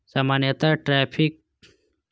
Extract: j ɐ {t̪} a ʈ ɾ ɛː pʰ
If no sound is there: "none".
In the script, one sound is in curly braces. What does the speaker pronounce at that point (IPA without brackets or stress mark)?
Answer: t̪